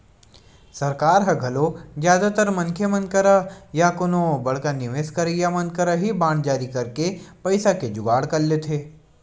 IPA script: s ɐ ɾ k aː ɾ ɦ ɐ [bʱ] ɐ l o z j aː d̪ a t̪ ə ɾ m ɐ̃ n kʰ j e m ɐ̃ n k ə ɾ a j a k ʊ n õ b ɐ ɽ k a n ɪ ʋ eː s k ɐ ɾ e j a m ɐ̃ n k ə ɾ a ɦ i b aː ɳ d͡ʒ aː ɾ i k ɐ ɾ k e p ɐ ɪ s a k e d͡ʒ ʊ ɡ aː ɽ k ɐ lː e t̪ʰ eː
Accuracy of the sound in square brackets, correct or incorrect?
incorrect